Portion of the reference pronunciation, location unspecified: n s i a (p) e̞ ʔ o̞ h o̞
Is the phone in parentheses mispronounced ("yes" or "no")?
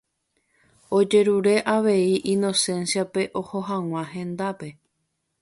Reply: no